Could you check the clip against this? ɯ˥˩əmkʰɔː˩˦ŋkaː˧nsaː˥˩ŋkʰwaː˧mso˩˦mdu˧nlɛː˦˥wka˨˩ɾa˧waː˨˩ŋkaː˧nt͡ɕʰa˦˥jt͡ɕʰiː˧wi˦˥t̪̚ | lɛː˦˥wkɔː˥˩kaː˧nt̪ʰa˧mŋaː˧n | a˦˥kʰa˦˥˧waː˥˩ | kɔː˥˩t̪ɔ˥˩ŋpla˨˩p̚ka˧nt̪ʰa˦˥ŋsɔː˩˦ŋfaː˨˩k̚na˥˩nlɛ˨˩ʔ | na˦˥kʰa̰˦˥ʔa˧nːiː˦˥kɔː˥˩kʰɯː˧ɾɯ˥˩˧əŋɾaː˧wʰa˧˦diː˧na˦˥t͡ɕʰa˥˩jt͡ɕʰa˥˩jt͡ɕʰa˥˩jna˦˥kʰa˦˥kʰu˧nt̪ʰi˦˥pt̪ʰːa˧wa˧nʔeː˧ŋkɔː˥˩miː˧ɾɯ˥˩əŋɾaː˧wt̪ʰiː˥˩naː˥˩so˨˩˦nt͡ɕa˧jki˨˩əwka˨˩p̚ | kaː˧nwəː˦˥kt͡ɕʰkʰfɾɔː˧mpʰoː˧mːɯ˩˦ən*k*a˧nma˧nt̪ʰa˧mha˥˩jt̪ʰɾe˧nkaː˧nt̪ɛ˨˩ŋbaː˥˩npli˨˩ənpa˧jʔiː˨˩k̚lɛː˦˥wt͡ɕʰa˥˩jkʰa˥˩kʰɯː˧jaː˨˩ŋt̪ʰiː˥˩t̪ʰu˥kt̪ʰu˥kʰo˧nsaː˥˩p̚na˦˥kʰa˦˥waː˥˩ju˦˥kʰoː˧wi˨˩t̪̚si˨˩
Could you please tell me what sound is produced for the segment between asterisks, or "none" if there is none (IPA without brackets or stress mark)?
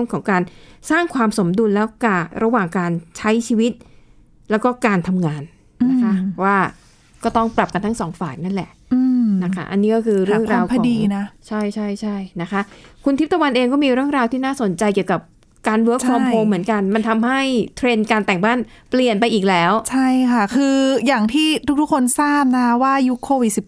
k